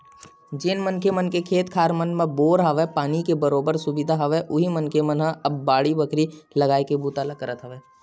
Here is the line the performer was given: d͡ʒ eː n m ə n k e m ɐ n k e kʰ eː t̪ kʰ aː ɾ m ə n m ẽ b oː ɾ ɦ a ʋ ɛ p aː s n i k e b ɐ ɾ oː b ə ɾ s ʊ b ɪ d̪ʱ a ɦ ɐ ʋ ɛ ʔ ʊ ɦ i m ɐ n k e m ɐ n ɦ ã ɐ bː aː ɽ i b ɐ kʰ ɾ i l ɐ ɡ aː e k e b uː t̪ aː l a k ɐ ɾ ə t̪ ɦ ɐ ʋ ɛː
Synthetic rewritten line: d͡ʒ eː n m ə n k e m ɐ n k e kʰ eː t̪ kʰ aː ɾ m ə n m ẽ b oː ɾ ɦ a ʋ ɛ p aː n i k e b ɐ ɾ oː b ə ɾ s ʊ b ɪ d̪ʱ a ɦ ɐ ʋ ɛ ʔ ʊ ɦ i m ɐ n k e m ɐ n ɦ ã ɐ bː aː ɽ i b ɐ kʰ ɾ i l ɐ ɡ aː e k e b uː t̪ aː l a k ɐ ɾ ə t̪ ɦ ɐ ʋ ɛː